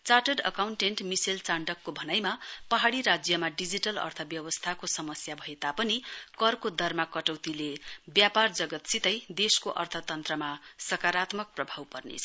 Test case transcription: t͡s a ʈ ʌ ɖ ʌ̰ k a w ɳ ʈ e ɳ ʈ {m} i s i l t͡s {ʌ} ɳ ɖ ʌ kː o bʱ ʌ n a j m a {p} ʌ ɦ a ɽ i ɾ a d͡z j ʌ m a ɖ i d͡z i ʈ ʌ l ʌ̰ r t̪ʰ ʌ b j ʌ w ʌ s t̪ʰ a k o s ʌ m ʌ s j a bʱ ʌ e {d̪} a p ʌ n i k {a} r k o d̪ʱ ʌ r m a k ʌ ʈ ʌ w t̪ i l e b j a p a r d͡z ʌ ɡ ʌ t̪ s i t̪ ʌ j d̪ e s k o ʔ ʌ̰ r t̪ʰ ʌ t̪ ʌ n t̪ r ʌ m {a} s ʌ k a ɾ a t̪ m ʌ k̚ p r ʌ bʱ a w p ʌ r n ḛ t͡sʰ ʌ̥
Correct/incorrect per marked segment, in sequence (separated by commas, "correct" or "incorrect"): correct, incorrect, correct, incorrect, incorrect, correct